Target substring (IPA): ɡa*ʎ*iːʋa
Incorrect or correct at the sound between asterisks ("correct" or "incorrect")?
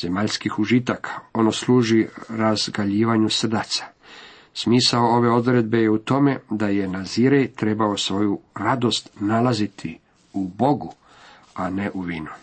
correct